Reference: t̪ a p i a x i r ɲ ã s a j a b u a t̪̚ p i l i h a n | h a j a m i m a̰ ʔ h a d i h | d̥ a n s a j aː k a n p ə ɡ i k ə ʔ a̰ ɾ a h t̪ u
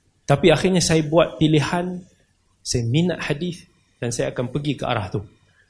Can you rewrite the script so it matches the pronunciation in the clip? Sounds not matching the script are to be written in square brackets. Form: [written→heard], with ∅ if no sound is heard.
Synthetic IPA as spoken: t̪ a p i a x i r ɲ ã s a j a b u a t̪̚ p i l i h a n | [h→s] a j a m i [m→n] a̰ ʔ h a d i [h→θ] | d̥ a n s a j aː k a n p ə ɡ i k ə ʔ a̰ ɾ a h t̪ u